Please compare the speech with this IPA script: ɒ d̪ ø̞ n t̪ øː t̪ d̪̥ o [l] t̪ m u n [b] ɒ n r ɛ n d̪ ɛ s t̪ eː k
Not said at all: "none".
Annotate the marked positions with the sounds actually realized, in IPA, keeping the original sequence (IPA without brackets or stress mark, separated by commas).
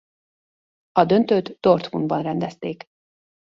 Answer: r, b